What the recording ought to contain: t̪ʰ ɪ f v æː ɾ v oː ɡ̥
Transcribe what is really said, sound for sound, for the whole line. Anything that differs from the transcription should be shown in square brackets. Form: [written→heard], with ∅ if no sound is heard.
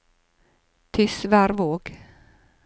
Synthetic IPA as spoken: t̪ʰ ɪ [f→s] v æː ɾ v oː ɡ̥